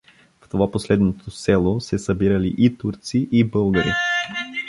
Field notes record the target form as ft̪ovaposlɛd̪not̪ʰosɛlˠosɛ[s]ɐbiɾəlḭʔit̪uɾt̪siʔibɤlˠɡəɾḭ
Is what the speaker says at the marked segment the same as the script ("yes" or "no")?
yes